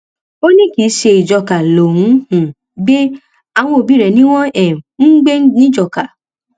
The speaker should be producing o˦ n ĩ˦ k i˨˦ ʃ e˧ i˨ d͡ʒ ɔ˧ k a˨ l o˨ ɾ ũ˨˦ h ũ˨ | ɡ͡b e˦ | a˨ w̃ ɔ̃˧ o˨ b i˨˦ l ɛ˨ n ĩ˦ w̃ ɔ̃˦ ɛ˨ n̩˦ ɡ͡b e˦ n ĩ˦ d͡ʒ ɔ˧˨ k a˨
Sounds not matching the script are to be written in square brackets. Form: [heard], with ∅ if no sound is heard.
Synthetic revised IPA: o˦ n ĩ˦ k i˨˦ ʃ e˧ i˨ d͡ʒ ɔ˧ k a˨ l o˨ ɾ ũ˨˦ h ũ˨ | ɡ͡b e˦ | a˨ w̃ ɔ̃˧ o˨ b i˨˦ [ɾ] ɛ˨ n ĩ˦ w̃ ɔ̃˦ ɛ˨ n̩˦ ɡ͡b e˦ n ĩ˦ d͡ʒ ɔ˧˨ k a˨

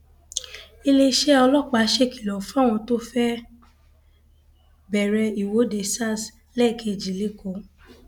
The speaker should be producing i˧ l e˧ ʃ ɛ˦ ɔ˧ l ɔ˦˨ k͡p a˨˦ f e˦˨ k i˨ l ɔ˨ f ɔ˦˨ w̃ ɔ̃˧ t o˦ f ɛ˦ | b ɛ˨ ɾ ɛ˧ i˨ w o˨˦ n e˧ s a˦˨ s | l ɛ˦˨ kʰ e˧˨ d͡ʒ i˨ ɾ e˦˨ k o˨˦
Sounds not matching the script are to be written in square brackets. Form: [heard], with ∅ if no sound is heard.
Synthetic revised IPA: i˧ l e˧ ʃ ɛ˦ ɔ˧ l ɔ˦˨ k͡p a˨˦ [ʃ] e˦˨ k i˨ l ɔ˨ f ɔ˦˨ w̃ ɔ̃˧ t o˦ f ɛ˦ | b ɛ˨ ɾ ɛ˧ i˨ w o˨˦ [d] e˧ s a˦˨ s | l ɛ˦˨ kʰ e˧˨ d͡ʒ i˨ [l] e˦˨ k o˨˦

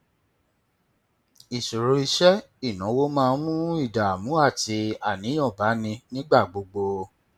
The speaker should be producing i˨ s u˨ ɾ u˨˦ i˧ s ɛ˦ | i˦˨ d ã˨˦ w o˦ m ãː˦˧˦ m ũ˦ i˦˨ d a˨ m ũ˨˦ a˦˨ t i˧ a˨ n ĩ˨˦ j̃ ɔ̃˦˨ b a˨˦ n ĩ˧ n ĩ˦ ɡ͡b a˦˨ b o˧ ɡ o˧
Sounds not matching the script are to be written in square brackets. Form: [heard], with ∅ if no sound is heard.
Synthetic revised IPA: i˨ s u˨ ɾ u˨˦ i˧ [ʃ] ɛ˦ | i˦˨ [n] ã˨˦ w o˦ m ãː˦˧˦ m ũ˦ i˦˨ d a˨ m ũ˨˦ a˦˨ t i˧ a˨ n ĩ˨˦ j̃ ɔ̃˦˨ b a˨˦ n ĩ˧ n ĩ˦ ɡ͡b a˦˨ [ɡ͡b] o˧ [ɡ͡b] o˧

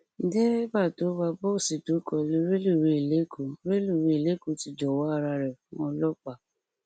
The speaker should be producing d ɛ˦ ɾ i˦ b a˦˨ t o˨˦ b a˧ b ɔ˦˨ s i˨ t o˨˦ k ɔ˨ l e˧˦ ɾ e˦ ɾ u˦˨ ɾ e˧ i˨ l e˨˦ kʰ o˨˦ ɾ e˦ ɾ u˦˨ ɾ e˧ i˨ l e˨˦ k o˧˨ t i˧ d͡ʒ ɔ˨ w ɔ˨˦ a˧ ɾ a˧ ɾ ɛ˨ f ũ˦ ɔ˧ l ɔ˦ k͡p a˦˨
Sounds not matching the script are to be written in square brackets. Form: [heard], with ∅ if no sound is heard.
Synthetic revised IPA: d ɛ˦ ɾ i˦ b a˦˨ t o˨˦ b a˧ b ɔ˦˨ s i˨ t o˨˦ k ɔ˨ l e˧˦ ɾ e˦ [l] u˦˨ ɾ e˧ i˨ l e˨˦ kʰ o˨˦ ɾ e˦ [l] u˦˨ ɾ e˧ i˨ l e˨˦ k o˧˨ t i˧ d͡ʒ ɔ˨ w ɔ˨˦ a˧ ɾ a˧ ɾ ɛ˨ f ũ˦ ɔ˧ l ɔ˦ k͡p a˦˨

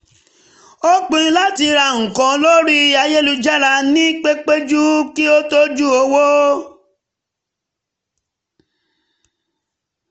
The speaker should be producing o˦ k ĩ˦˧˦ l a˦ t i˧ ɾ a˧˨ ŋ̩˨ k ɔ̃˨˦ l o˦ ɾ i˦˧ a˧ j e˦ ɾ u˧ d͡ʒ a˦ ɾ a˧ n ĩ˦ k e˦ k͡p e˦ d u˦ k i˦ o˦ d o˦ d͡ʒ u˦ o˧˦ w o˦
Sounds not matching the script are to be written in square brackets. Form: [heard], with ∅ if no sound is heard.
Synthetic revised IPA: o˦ [k͡p] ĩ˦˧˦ l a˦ t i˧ ɾ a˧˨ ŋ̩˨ k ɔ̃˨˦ l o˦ ɾ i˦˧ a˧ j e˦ [l] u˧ d͡ʒ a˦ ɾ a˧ n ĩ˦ [k͡p] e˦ k͡p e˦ [d͡ʒ] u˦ k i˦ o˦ [t] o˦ d͡ʒ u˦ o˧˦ w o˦

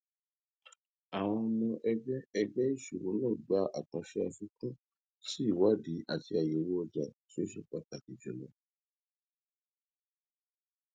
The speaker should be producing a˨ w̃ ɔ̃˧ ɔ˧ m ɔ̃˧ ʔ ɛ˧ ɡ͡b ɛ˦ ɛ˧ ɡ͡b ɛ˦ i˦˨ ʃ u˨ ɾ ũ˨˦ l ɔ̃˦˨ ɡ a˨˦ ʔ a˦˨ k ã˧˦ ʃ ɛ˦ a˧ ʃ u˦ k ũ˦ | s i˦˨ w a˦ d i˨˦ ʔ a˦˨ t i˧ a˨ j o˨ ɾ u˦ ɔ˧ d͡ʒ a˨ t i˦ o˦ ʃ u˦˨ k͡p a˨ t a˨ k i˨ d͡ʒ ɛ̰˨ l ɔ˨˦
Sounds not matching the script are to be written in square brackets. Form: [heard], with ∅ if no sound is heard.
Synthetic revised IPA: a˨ w̃ ɔ̃˧ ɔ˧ m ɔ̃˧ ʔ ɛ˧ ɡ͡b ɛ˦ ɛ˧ ɡ͡b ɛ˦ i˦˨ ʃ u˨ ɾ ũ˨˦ l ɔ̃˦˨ [ɡ͡b] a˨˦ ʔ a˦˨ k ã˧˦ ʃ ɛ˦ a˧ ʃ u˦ k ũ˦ | s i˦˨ w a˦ d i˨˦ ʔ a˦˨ t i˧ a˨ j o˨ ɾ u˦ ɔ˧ d͡ʒ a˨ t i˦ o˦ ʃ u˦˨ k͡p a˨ t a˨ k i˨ d͡ʒ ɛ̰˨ l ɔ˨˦

